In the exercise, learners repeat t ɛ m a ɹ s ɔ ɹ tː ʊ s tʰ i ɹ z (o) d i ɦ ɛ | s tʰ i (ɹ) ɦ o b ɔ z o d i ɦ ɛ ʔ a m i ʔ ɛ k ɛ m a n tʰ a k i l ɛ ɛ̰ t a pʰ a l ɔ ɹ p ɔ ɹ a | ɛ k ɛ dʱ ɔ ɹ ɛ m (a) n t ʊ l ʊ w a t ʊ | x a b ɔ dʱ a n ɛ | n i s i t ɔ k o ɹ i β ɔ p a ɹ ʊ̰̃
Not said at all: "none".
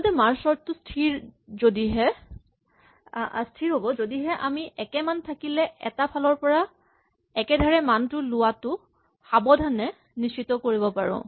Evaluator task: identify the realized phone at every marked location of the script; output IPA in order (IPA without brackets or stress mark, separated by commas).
o, ɹ, a